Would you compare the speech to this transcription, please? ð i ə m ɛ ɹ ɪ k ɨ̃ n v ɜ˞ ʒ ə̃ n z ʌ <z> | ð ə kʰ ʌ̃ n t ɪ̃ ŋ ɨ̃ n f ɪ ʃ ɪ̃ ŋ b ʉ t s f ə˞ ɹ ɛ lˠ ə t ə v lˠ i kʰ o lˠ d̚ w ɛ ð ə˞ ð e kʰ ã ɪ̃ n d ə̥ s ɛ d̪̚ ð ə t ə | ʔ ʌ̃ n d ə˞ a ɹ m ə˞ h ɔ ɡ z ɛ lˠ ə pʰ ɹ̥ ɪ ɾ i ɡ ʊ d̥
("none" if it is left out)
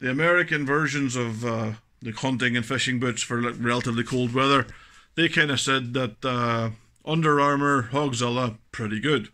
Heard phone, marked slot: v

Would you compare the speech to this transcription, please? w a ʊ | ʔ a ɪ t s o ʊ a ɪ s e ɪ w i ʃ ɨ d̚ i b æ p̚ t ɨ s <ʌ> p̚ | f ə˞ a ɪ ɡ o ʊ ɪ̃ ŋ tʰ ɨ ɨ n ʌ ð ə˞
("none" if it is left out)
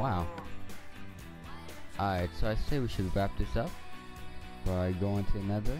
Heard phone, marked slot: ʌ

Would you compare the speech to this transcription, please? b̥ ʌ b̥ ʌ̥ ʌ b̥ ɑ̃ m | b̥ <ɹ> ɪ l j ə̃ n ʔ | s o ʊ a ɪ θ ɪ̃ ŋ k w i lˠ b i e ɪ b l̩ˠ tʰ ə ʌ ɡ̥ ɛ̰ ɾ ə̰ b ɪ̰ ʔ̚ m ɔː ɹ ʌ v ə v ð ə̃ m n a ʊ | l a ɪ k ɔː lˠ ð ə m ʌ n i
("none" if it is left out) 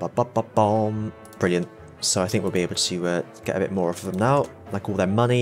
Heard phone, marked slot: ɹ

